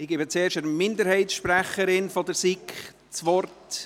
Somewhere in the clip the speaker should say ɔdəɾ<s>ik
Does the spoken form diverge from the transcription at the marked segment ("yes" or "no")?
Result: no